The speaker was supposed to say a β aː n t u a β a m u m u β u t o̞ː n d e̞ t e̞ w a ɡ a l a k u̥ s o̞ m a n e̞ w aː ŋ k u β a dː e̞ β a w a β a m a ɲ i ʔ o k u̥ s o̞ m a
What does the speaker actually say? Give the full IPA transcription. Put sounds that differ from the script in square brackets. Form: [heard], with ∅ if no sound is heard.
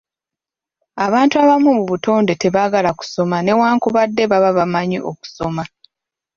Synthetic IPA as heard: a β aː n t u a β a m u m u β u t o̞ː n d e̞ t e̞ [β] a ɡ a l a k u̥ s o̞ m a n e̞ w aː ŋ k u β a dː e̞ β a [β] a β a m a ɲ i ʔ o k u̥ s o̞ m a